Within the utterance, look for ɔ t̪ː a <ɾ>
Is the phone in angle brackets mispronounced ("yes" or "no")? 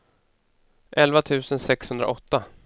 yes